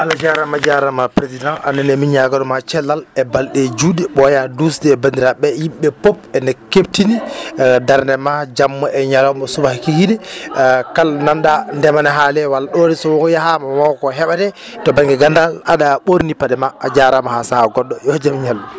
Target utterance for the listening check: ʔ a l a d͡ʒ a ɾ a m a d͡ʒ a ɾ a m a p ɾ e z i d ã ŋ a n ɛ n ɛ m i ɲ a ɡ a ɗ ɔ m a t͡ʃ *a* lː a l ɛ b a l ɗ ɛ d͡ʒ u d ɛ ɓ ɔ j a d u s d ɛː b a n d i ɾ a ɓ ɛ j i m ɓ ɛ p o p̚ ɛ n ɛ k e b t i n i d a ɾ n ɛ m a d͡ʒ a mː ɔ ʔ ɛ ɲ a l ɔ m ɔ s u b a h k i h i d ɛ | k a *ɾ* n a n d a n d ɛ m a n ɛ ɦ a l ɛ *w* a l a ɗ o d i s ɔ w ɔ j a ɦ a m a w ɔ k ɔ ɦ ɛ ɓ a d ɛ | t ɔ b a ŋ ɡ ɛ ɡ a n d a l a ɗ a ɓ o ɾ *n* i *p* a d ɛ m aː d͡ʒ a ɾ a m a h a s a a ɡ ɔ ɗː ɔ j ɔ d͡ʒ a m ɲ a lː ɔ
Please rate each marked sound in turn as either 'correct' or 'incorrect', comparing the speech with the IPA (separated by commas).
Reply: incorrect, incorrect, correct, correct, correct